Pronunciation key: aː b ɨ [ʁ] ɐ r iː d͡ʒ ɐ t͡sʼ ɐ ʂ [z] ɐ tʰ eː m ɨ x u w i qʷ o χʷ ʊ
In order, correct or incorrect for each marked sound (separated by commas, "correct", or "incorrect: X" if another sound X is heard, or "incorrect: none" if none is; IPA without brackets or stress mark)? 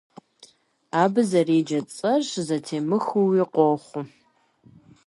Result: incorrect: z, correct